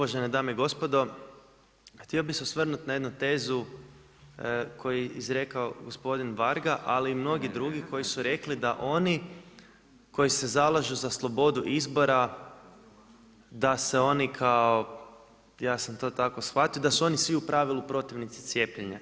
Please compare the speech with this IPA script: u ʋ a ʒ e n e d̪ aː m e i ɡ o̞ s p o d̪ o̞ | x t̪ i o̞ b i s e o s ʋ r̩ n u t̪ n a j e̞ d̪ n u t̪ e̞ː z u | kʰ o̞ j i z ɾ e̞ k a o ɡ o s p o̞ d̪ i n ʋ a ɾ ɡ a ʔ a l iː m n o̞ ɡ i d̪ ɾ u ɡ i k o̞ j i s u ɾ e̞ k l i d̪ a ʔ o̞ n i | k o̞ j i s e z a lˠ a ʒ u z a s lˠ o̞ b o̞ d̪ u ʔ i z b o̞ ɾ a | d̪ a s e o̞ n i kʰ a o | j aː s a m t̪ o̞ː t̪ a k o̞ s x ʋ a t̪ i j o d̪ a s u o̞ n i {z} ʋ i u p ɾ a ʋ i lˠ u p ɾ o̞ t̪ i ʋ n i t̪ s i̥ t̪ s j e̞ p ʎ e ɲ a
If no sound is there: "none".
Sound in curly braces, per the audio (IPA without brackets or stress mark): s